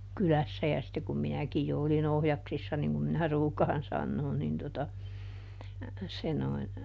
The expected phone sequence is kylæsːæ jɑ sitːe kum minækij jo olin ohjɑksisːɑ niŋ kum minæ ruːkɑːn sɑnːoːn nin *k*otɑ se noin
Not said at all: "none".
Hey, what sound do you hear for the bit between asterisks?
t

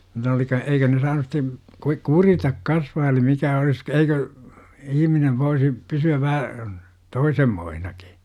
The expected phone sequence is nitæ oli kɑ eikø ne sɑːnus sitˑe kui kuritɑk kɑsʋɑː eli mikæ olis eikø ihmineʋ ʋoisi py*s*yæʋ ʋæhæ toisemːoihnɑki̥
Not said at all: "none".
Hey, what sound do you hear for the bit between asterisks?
s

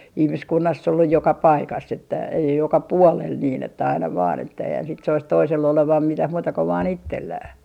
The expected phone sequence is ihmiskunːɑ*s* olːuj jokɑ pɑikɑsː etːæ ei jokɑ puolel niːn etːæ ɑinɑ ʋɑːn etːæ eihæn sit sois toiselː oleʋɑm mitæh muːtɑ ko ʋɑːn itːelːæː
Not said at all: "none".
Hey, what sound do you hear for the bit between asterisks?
sː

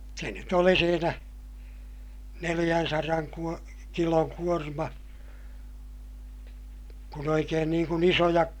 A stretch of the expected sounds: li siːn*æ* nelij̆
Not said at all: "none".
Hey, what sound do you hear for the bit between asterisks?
æ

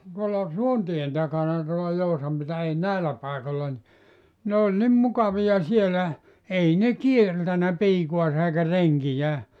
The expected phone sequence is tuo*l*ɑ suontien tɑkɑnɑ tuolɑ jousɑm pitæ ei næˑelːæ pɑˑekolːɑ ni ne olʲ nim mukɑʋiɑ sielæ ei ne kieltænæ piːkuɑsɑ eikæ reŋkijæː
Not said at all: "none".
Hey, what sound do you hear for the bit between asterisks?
lː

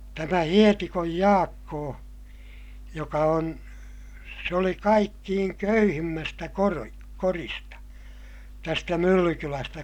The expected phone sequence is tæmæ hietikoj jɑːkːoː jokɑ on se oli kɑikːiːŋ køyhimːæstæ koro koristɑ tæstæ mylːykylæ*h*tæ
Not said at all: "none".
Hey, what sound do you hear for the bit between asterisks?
s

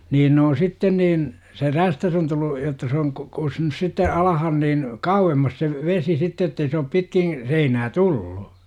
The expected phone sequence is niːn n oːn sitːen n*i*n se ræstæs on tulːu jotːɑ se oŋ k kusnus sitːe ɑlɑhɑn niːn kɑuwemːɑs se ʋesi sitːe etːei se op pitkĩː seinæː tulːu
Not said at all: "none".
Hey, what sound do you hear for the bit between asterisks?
iː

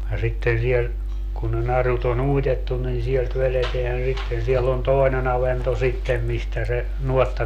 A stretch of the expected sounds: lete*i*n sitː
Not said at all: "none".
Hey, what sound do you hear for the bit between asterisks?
æ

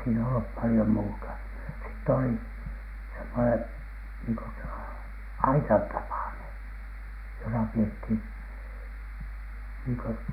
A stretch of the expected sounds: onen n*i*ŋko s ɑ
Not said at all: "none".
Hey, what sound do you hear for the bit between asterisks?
iː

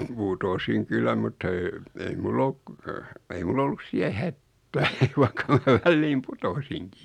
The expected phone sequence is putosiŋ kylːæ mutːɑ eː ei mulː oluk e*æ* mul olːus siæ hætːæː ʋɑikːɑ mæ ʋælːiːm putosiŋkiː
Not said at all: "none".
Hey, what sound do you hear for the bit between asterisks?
i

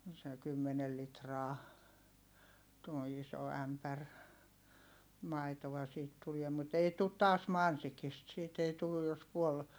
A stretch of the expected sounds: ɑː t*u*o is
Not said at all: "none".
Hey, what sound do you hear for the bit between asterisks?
u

